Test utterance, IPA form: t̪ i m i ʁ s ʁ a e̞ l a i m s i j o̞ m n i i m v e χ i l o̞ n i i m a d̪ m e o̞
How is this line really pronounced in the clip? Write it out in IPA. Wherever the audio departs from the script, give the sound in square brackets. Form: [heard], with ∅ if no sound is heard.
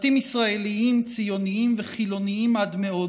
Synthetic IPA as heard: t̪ i m i [∅] s ʁ a e̞ l [i] i m [t͡s] i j o̞ [∅] n i i m v e χ i l o̞ n i i m a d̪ m e o̞